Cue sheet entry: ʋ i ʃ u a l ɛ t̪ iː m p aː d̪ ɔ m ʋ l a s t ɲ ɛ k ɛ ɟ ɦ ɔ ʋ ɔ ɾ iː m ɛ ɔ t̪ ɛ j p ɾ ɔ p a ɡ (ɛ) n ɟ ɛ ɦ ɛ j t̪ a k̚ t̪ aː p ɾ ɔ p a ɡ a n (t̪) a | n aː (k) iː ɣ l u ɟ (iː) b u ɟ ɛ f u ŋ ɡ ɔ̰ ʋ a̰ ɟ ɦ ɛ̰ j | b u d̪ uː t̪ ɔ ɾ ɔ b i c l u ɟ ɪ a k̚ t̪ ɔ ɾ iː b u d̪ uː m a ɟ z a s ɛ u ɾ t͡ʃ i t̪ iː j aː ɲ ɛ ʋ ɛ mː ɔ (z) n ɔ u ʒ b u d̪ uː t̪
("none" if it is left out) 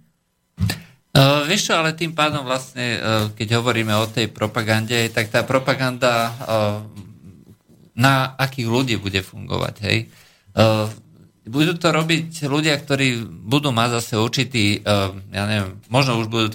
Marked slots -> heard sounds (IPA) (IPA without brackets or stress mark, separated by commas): a, d̪, k, iː, ʒ